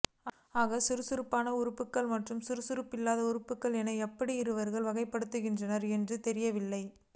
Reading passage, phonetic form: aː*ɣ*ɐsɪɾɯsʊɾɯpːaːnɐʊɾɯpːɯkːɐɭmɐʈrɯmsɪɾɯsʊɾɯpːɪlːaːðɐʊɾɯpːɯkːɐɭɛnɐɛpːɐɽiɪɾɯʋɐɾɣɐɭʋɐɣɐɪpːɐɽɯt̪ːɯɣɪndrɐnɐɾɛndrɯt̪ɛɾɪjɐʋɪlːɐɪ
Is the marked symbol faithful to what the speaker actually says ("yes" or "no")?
yes